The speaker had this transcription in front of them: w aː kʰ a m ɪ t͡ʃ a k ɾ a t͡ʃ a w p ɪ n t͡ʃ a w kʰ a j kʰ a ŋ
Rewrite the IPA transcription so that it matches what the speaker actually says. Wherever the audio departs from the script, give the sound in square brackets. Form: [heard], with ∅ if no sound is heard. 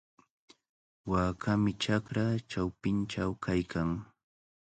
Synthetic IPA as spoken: w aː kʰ a m ɪ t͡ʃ a k ɾ a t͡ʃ a w p ɪ n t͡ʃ a w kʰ a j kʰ a ŋ